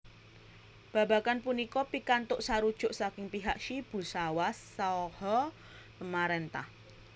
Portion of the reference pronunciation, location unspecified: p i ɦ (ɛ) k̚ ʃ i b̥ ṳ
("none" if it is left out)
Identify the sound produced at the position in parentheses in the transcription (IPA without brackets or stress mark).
a